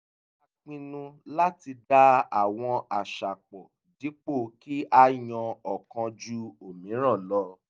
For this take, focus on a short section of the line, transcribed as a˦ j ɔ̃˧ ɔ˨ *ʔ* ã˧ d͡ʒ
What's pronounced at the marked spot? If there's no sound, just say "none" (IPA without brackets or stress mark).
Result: k